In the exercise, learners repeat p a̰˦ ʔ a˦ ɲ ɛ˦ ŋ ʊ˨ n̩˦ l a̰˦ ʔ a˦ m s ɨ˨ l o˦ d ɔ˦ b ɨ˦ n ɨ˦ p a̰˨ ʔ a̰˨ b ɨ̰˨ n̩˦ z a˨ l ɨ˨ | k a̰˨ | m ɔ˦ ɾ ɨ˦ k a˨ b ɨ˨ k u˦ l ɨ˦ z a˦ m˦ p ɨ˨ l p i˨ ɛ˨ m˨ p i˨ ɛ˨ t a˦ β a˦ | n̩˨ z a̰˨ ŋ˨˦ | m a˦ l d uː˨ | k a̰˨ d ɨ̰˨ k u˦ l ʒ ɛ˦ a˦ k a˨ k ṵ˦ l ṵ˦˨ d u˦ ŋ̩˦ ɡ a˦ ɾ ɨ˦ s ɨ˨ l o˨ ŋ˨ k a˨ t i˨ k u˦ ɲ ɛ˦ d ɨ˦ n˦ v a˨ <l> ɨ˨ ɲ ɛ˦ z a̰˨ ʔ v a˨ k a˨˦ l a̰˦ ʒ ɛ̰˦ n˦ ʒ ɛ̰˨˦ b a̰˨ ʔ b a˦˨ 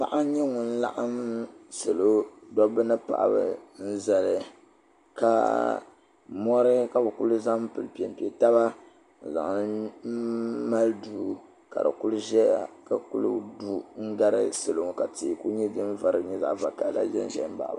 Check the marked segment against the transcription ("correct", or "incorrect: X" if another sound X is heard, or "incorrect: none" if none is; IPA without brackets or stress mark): incorrect: ɾ